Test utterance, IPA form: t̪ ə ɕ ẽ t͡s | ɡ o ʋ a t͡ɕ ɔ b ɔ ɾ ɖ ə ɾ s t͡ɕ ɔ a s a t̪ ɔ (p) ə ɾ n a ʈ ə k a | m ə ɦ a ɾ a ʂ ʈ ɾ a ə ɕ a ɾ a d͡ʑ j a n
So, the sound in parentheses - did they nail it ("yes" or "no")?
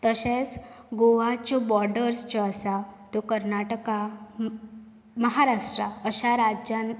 no